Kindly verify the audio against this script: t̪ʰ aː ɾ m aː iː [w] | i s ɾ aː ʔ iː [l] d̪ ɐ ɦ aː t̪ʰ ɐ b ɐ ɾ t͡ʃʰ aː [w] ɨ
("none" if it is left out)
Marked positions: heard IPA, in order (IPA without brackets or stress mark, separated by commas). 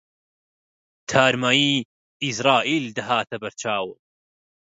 none, l, w